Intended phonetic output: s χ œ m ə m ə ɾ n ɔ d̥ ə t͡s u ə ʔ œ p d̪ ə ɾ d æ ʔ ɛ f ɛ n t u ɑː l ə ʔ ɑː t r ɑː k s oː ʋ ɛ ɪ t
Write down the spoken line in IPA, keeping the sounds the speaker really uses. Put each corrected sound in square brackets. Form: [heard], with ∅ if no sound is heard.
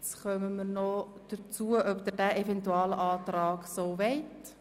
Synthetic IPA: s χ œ m ə m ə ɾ n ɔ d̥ ə t͡s u ə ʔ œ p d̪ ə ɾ d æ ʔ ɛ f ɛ n t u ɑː l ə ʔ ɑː t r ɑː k s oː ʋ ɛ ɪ t